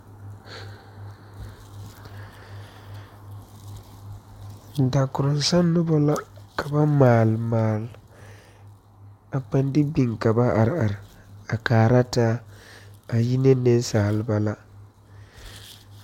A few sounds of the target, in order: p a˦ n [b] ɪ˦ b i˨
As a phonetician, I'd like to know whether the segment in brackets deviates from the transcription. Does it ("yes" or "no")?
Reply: yes